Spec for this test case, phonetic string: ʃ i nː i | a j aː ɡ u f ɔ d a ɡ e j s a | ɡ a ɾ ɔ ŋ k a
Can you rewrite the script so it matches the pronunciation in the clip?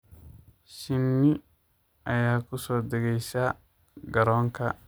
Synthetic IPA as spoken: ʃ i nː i | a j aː k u s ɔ d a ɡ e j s a | ɡ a ɾ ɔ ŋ k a